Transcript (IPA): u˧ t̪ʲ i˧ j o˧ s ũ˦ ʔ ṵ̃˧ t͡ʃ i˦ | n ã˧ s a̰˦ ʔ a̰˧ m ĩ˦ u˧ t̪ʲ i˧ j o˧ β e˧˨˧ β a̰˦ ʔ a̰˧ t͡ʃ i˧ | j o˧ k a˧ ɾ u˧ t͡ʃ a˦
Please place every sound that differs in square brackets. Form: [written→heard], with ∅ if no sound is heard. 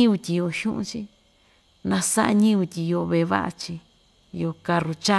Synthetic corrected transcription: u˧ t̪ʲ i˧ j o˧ [s→ʃ] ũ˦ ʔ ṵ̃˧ t͡ʃ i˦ | n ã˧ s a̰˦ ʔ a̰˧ [m→ɲ] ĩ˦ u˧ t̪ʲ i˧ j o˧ β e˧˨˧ β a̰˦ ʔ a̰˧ t͡ʃ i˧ | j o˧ k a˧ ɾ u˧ t͡ʃ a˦

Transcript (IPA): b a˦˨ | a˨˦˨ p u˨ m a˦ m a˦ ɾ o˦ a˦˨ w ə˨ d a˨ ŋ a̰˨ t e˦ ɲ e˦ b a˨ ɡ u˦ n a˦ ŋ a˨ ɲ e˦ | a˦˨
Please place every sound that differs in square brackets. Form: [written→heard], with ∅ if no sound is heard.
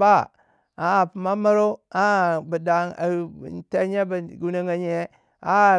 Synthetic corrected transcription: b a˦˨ | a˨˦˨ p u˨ m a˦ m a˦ ɾ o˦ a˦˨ [w→b] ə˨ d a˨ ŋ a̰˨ t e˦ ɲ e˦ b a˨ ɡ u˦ n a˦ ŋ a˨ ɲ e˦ | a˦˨

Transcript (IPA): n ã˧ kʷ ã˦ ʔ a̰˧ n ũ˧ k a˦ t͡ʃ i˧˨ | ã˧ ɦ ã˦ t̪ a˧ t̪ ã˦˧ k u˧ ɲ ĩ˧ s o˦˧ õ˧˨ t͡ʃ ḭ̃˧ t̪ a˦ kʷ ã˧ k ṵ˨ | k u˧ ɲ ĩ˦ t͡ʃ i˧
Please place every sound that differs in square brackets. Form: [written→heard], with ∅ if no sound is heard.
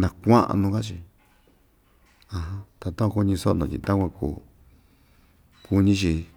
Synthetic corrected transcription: n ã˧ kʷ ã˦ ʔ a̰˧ n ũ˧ k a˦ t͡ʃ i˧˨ | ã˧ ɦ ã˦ t̪ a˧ t̪ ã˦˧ k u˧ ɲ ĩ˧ s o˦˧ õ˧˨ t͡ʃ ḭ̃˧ t̪ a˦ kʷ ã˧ k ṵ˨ | k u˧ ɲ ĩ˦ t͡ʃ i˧

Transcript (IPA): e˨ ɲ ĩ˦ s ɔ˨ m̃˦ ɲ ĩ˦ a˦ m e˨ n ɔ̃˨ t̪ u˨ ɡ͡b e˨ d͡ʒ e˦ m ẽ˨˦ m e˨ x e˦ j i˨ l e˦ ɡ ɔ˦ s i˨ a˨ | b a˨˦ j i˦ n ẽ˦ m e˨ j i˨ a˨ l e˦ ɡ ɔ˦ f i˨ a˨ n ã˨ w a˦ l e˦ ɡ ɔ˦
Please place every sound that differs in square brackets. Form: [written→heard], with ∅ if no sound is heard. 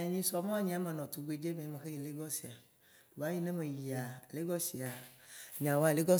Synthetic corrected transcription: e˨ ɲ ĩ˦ s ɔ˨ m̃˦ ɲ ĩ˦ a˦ m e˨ n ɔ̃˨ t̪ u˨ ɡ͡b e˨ d͡ʒ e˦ m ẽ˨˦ m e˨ x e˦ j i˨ l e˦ ɡ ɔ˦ s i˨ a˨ | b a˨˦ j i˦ n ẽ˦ m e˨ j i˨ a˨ l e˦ ɡ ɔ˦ [f→s] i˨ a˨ [n→ɲ] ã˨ w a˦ l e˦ ɡ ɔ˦

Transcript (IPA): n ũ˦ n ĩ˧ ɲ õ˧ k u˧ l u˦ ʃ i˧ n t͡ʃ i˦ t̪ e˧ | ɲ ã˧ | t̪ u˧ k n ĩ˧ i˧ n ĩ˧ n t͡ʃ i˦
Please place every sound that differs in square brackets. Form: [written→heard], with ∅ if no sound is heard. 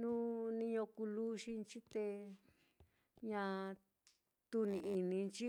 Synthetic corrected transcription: n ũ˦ n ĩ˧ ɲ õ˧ k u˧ l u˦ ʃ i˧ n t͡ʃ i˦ t̪ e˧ | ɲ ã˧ | t̪ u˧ [k→∅] n ĩ˧ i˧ n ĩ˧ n t͡ʃ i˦

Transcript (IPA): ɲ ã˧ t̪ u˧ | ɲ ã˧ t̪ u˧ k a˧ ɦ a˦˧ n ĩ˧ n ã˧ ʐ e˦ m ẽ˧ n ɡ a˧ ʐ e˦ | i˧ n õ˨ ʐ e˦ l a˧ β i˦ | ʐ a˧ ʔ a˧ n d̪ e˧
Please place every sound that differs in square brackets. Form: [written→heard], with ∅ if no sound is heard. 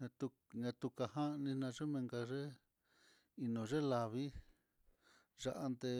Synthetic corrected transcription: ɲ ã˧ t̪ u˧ | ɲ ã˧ t̪ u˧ k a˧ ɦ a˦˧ n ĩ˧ n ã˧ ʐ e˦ m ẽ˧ [n→ŋ] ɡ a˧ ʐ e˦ | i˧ n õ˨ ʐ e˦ l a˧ β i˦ | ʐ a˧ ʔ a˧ n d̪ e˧

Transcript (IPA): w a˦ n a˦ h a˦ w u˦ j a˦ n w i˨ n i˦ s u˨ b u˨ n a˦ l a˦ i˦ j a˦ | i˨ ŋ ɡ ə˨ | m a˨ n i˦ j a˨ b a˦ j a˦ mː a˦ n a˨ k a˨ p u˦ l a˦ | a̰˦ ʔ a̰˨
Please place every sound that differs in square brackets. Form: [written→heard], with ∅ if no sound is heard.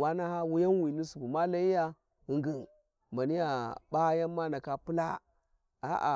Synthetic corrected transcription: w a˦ n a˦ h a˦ w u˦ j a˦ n w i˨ n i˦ s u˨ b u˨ [n→m] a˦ l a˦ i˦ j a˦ | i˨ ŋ ɡ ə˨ | m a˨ n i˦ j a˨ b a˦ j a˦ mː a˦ n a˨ k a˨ p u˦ l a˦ | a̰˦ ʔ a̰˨

